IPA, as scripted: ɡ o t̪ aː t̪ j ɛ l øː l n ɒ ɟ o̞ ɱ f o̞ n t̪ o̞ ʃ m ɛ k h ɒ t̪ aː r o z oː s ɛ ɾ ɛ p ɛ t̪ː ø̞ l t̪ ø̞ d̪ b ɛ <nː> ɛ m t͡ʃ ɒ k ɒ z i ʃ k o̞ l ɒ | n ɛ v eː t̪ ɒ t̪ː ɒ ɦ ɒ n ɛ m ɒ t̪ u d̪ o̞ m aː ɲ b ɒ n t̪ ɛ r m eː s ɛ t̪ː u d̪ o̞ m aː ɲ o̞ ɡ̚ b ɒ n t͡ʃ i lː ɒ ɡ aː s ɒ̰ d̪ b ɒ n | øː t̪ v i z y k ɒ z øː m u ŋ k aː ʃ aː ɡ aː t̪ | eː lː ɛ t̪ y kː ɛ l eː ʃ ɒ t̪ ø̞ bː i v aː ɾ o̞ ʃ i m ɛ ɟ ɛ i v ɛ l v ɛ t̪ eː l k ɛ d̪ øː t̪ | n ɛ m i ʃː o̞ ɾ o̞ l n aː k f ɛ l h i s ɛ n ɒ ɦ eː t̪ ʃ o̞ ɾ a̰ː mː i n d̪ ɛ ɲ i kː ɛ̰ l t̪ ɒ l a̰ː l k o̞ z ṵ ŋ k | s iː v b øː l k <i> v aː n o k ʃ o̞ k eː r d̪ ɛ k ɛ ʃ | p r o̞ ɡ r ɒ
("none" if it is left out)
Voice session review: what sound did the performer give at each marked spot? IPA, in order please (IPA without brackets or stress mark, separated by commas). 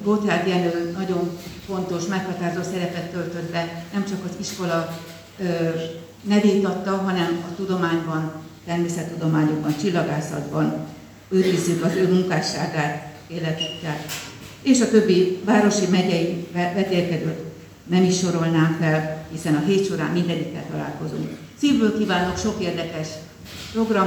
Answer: n, iː